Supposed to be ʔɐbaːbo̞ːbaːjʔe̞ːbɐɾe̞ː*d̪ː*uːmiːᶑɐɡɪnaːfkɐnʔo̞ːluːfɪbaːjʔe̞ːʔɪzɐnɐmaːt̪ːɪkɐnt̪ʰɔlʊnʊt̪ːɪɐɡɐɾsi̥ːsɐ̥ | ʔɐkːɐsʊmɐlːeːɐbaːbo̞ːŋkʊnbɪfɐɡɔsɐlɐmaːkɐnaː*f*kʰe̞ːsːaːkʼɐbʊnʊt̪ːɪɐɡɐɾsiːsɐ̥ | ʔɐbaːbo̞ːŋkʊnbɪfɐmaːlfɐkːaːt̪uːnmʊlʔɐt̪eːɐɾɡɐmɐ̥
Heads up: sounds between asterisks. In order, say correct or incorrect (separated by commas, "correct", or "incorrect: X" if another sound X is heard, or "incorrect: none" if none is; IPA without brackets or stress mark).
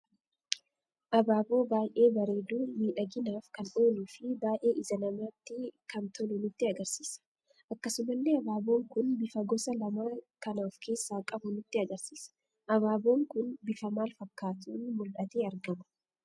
incorrect: d̪, correct